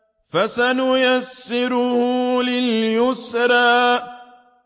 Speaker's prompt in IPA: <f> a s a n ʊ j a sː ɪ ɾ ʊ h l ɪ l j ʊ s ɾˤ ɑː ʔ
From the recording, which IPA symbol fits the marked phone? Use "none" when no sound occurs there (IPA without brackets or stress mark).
f